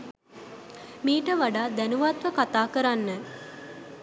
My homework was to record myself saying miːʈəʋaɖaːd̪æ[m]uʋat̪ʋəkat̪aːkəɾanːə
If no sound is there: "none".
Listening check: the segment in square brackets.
n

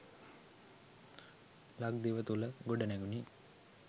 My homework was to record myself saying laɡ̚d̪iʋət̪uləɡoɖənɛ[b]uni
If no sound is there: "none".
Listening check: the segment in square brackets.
ɡ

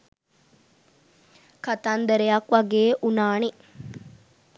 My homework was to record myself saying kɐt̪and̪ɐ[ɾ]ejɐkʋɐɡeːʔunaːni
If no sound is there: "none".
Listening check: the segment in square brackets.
ɾ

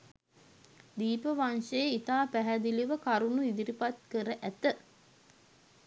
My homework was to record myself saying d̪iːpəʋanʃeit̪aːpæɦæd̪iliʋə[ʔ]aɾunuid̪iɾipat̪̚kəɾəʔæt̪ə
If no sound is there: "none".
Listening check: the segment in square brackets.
k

